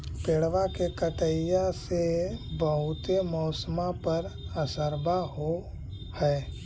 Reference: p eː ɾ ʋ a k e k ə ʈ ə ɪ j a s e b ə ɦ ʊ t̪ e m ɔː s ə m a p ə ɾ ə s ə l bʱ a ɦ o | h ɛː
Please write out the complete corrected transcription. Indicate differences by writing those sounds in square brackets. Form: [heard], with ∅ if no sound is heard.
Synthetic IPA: p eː [ɽ] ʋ a k e k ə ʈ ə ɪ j a s e b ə ɦ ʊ t̪ e m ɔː s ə m a p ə ɾ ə s ə [ɾ] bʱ a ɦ o | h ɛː